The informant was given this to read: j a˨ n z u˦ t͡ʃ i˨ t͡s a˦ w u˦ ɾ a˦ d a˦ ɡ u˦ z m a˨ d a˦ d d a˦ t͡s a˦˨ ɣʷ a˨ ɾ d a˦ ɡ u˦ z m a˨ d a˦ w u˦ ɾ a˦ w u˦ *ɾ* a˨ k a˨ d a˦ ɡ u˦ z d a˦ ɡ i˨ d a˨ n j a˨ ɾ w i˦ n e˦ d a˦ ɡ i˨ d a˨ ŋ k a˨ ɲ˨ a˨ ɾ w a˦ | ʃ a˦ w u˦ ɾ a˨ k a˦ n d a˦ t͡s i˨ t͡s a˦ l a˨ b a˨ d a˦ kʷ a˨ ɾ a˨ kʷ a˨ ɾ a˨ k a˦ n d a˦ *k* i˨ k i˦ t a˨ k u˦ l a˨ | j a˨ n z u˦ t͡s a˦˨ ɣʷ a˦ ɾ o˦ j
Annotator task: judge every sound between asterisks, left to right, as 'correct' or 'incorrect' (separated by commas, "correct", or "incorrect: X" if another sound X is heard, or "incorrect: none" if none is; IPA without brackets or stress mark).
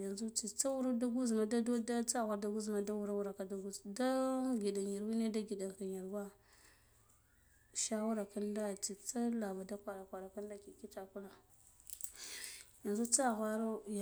correct, correct